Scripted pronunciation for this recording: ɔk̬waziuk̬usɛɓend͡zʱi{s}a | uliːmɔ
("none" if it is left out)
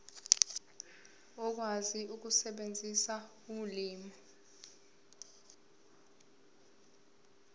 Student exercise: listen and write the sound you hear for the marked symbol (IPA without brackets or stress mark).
s